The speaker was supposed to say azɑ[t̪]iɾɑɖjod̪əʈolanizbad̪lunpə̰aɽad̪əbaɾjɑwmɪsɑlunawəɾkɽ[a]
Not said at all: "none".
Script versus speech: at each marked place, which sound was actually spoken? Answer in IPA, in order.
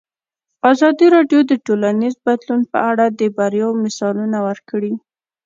d̪, i

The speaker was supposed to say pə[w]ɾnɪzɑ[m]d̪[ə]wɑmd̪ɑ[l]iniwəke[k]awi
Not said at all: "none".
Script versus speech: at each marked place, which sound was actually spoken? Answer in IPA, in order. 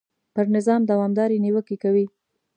none, m, a, ɾ, k

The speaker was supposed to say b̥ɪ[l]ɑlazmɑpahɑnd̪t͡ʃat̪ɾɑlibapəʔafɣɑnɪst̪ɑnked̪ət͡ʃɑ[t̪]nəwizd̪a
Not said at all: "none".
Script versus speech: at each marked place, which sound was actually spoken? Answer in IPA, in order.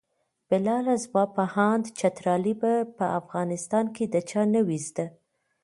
l, none

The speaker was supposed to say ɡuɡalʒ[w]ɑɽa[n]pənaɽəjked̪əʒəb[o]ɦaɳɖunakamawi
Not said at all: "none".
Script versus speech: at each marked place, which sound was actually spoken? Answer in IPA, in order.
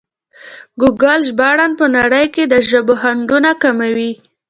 b, n, o

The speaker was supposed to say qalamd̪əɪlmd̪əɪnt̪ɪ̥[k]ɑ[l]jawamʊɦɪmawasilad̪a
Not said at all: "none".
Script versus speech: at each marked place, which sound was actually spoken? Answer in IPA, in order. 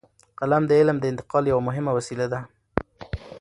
q, l

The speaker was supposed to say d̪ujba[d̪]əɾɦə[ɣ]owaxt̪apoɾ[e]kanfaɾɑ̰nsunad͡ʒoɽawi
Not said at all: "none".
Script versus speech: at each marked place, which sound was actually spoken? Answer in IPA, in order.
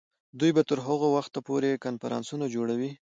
t̪, ɣ, e

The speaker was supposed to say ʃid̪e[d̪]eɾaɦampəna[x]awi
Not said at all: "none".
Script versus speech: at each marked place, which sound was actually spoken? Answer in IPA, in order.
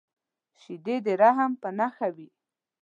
d̪, x

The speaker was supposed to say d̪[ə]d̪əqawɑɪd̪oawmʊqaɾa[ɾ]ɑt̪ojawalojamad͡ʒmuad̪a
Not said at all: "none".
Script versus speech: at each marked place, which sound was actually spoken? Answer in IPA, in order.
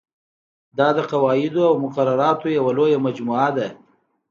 ɑ, ɾ

